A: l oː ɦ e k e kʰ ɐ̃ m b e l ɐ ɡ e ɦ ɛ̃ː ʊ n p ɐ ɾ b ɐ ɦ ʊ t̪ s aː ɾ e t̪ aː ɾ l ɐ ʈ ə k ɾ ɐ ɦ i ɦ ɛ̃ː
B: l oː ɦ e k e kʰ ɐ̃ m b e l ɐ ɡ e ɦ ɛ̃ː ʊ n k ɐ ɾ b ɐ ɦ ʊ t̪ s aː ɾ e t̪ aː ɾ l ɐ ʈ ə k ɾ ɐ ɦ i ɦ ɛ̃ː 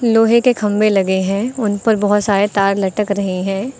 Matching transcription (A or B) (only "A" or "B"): A